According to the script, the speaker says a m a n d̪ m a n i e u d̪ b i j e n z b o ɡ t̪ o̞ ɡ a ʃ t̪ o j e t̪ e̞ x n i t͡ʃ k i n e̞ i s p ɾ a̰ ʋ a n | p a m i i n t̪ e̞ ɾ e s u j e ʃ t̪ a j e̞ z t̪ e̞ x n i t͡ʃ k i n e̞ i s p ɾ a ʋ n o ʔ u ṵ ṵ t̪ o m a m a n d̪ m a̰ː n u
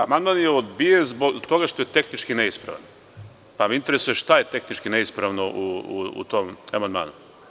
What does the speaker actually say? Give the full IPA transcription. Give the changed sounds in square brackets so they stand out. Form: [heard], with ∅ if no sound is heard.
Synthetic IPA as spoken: a m a n d̪ m a n [j] e [o] d̪ b i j e n z b o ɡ t̪ o̞ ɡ a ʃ t̪ o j e t̪ e̞ x n i t͡ʃ k i n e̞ i s p ɾ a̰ ʋ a n | p a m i i n t̪ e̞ ɾ e s u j e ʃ t̪ a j e̞ [∅] t̪ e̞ x n i t͡ʃ k i n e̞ i s p ɾ a ʋ n o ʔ u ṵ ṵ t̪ o m a m a n d̪ m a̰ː n u